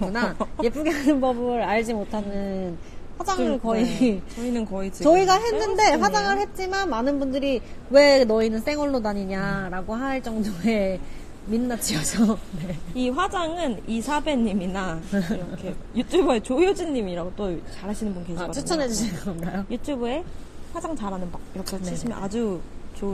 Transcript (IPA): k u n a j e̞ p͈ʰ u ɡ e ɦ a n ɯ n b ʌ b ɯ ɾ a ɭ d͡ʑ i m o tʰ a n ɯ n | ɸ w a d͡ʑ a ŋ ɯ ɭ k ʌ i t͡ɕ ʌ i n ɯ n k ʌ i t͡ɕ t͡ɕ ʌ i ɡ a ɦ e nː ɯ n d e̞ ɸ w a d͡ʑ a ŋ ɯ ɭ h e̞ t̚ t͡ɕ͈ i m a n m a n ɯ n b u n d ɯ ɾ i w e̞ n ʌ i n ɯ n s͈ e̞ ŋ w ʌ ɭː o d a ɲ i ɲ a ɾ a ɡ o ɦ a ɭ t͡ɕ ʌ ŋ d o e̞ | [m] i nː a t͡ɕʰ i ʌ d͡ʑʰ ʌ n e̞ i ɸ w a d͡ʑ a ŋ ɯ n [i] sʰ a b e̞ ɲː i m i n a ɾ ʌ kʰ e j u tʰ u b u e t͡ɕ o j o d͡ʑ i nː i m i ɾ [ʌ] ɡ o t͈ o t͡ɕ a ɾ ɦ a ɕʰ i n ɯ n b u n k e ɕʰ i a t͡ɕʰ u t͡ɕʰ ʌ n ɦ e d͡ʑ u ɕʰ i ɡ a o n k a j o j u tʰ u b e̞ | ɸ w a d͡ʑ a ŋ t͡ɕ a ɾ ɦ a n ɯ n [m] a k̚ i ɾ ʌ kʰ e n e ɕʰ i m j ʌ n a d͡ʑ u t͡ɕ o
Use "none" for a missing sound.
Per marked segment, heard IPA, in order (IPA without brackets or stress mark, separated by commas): m, i, a, b